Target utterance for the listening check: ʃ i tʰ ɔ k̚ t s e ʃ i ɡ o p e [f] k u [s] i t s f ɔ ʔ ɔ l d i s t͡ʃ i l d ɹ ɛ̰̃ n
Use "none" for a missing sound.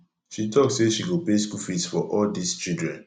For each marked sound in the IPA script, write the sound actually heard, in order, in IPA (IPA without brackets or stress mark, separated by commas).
s, f